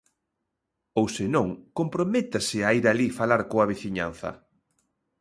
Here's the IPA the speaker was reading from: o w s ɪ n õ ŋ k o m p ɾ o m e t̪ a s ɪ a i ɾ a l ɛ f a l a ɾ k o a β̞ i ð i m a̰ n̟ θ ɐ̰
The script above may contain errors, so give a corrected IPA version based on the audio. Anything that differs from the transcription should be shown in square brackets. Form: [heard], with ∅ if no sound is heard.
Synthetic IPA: o w s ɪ n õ ŋ k o m p ɾ o m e t̪ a s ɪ a i ɾ a l [i] f a l a ɾ k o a β̞ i [θ] i [ɲ] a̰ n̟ θ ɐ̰